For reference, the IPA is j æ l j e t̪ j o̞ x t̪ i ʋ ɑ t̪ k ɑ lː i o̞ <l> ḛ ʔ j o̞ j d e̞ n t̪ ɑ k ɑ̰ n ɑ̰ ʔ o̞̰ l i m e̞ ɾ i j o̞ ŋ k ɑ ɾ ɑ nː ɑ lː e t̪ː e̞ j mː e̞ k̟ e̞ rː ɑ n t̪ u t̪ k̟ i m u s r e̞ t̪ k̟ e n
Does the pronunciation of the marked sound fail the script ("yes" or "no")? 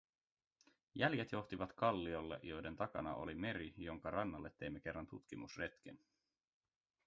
yes